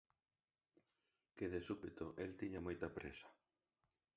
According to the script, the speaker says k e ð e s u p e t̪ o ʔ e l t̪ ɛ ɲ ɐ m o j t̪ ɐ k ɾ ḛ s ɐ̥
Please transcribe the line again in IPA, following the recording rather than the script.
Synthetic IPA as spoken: k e ð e s u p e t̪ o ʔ e l t̪ i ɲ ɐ m o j t̪ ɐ p ɾ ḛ s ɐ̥